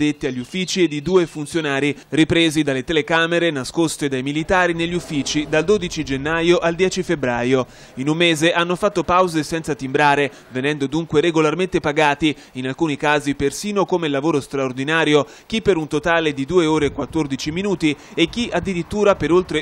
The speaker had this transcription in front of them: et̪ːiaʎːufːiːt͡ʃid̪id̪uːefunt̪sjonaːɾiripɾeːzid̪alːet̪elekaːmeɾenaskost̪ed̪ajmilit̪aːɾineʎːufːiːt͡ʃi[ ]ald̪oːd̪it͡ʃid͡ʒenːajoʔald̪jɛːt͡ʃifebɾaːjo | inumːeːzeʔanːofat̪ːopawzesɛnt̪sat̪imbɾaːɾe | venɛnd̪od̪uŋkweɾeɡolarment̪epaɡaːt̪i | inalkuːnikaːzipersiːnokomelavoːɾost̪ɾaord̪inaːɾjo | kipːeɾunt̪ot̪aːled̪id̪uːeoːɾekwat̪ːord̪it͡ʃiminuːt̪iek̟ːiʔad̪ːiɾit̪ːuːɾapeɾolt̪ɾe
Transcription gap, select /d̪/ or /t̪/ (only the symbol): d̪